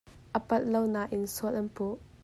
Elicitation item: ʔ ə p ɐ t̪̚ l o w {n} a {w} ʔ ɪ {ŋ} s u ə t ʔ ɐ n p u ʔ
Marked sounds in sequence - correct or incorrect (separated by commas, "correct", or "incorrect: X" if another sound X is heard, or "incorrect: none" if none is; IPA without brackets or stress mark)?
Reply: correct, incorrect: none, incorrect: n